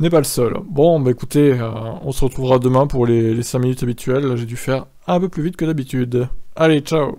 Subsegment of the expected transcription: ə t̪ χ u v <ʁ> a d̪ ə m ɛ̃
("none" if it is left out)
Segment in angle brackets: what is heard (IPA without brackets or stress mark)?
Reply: ʁ